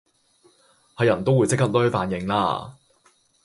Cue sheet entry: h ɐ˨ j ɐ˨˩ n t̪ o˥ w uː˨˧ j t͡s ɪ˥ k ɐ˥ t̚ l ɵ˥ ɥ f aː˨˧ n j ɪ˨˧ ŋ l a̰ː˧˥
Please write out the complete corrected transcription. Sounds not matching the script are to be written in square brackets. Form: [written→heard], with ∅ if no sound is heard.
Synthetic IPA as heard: h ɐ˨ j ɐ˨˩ n t̪ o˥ w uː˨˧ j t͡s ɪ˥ k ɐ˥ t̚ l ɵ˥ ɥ f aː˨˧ n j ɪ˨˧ ŋ l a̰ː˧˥

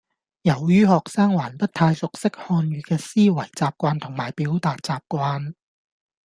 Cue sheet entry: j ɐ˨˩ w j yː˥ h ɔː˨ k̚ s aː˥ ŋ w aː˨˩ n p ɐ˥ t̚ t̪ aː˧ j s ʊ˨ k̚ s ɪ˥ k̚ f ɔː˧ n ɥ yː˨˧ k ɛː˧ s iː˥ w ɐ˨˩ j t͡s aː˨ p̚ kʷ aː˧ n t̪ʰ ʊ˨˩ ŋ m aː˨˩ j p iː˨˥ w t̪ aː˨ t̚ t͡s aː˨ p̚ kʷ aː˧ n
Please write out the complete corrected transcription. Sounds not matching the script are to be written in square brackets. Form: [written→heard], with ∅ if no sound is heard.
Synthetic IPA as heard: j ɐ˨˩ w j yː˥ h ɔː˨ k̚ s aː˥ ŋ w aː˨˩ n p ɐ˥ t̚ [t̪→t̪ʰ] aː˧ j s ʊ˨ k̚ s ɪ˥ k̚ [f→h] ɔː˧ n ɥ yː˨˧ k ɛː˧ s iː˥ w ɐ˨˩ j t͡s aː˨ p̚ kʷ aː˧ n t̪ʰ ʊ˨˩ ŋ m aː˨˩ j p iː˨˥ w t̪ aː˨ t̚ t͡s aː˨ p̚ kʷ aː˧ n

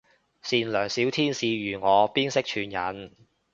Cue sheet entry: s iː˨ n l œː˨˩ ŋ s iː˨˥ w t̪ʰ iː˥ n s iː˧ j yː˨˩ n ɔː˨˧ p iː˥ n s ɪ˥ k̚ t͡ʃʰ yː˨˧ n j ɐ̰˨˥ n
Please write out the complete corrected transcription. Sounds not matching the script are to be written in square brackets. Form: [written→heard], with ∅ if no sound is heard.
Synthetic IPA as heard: s iː˨ n l œː˨˩ ŋ s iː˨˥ w t̪ʰ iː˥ n s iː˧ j yː˨˩ [n→ŋ] ɔː˨˧ p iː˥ n s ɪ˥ k̚ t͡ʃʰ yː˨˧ n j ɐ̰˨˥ n

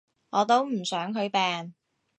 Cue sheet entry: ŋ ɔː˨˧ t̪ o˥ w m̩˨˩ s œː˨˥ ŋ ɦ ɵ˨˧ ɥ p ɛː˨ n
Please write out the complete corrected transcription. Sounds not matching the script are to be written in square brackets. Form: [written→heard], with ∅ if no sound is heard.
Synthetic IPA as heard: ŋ ɔː˨˧ t̪ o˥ w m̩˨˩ s œː˨˥ ŋ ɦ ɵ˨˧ ɥ p ɛː˨ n

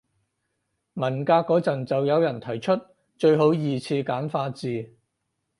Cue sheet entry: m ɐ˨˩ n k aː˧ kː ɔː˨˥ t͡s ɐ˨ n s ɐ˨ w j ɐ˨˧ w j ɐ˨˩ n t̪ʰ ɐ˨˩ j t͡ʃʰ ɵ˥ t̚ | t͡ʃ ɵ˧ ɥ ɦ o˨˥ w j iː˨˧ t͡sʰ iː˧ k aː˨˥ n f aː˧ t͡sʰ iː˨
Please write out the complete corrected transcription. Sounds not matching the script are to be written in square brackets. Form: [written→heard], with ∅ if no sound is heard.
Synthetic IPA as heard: m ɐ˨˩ n k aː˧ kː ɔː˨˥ t͡s ɐ˨ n [s→t͡s] ɐ˨ w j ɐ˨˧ w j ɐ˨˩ n t̪ʰ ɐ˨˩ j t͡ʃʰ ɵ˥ t̚ | t͡ʃ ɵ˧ ɥ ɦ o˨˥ w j iː˨˧ t͡sʰ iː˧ k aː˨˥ n f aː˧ [t͡sʰ→t͡s] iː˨

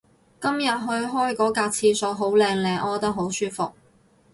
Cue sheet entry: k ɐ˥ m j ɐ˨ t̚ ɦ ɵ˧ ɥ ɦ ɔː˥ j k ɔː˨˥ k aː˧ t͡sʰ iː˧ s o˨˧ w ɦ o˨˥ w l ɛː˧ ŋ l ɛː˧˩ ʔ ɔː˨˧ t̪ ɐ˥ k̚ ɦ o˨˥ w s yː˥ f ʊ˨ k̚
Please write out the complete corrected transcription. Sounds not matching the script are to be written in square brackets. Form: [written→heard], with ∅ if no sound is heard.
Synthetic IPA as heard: k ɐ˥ m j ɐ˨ t̚ ɦ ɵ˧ ɥ ɦ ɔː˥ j k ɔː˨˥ k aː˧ t͡sʰ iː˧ s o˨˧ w ɦ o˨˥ w l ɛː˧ ŋ l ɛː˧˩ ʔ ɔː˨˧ t̪ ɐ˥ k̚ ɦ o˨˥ w s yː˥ f ʊ˨ k̚

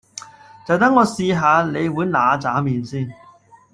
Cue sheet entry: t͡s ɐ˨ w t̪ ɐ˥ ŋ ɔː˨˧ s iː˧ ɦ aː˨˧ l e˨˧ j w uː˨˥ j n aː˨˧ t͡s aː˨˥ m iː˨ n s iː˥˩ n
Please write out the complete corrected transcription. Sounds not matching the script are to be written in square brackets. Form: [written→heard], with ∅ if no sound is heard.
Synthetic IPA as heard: t͡s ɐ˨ w t̪ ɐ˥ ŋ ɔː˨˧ s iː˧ ɦ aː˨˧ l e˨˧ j w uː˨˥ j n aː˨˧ t͡s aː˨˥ m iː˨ n s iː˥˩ n

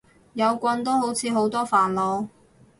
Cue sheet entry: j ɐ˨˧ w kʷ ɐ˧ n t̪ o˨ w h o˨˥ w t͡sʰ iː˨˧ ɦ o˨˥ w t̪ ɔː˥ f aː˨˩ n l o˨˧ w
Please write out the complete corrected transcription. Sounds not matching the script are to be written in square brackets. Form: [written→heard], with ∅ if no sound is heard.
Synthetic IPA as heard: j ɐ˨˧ w kʷ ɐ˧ n t̪ [o˨→o˥] w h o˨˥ w t͡sʰ iː˨˧ ɦ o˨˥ w t̪ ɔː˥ f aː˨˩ n l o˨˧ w

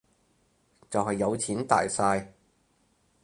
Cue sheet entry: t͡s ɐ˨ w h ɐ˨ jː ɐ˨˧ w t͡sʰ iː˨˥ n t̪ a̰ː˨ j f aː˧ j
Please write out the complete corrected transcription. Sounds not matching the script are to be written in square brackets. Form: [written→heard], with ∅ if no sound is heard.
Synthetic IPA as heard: t͡s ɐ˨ w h ɐ˨ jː ɐ˨˧ w t͡sʰ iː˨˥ n t̪ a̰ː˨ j [f→s] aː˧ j

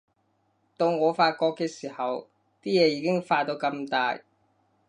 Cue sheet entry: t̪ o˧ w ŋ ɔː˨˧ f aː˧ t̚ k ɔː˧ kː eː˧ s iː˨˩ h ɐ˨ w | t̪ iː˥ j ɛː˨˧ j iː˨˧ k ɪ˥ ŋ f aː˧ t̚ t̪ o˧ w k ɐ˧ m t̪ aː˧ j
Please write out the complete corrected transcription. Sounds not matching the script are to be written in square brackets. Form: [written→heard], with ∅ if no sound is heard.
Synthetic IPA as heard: t̪ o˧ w ŋ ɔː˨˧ f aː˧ t̚ k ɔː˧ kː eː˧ s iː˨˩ h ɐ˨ w | t̪ iː˥ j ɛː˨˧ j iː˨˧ k ɪ˥ ŋ f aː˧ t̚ t̪ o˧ w k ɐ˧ m t̪ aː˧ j

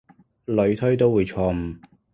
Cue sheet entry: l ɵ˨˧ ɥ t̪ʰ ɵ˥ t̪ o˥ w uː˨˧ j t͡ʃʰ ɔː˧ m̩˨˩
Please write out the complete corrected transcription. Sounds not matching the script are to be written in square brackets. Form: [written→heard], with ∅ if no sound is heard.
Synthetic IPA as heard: l ɵ˨˧ ɥ t̪ʰ ɵ˥ t̪ o˥ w uː˨˧ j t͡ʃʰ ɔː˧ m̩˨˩

